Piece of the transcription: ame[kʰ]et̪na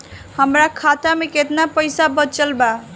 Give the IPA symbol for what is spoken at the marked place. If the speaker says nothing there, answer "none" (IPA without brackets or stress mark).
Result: k